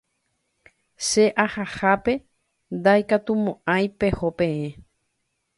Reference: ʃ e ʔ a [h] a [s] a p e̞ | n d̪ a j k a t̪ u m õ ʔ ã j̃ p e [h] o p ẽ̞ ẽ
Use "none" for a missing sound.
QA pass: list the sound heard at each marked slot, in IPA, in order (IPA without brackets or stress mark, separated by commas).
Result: h, h, h